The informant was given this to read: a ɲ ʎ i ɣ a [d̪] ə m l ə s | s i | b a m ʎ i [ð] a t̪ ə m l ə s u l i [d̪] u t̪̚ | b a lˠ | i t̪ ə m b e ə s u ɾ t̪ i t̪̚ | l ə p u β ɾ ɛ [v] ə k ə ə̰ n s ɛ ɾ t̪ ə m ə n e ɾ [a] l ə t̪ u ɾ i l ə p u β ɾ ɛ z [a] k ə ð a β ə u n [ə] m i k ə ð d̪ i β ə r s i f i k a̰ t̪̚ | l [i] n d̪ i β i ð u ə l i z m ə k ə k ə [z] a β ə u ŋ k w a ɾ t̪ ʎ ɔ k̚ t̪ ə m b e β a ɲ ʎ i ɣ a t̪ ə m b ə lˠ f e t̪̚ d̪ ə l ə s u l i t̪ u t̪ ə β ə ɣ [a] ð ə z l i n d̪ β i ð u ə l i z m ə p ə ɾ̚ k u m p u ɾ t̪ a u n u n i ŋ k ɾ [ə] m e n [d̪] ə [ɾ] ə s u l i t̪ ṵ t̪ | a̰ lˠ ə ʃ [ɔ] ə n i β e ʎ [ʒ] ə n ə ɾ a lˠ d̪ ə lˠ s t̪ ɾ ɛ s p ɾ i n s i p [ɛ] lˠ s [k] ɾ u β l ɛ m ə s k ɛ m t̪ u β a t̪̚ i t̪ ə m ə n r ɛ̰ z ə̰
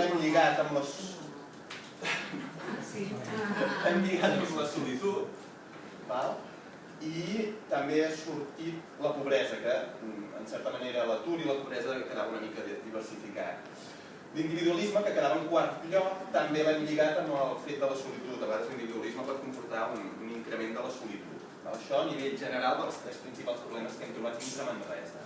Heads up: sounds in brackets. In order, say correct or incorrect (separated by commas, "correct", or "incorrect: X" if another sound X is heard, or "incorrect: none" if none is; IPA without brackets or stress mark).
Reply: incorrect: t̪, incorrect: ɣ, incorrect: t̪, incorrect: z, incorrect: ə, incorrect: ə, correct, correct, incorrect: ð, correct, correct, correct, incorrect: l, correct, correct, incorrect: a, incorrect: p